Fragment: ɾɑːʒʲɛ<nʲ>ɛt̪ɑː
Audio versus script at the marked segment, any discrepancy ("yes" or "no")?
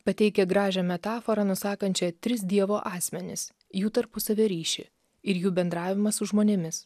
yes